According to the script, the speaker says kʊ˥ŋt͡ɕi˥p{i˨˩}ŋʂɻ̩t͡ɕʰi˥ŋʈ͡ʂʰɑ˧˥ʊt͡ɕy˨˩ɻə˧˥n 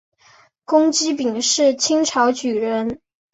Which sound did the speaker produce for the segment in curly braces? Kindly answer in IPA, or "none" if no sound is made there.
i˨˩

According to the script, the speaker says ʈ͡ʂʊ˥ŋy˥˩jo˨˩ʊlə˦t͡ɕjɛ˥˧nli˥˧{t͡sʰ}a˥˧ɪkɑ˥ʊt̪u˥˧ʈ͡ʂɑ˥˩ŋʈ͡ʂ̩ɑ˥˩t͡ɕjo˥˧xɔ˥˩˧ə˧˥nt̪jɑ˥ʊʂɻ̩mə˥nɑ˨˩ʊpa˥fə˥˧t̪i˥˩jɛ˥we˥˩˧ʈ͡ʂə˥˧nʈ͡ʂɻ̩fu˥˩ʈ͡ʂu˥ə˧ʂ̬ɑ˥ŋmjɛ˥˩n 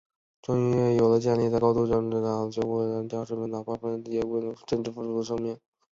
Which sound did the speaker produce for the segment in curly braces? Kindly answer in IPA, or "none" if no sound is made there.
t͡s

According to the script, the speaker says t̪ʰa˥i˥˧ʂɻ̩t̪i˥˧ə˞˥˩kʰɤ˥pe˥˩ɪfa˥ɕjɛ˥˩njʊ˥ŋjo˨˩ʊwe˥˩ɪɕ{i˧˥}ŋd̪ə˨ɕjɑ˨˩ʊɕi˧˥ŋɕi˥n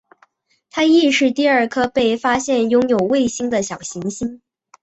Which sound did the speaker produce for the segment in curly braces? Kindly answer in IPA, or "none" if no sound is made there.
i˥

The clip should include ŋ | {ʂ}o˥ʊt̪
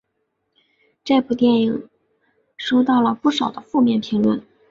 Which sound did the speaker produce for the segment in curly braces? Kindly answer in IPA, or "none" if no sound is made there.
ʂ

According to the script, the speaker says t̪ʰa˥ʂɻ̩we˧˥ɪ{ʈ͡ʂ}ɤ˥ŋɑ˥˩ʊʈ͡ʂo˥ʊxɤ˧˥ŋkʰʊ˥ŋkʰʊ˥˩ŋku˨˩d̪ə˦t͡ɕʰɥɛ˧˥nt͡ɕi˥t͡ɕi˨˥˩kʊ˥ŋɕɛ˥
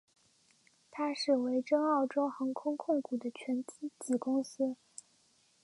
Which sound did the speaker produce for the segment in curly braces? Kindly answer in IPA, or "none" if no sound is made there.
ʈ͡ʂ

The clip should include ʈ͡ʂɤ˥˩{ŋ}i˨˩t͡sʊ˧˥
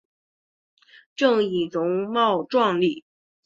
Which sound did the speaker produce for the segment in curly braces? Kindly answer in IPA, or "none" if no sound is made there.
ŋ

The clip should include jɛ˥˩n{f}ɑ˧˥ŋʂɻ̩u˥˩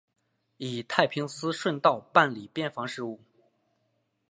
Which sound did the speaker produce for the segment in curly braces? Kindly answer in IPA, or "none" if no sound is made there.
f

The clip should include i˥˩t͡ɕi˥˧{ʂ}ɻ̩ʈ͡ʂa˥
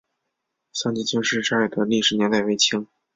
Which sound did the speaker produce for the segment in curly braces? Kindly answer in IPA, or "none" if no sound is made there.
ʂ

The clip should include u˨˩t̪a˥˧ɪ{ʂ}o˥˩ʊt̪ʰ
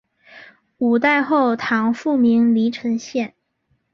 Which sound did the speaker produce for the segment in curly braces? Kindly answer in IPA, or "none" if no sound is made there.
x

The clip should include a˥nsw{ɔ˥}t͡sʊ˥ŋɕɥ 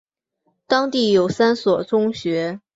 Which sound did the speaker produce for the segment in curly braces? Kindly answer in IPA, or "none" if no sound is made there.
ɔ˨˩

